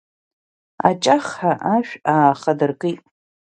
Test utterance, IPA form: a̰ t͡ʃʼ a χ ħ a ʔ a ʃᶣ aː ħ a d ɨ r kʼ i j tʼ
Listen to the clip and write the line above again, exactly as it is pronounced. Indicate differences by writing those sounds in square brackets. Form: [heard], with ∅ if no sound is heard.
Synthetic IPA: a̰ t͡ʃʼ a χ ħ a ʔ a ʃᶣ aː [χ] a d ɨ r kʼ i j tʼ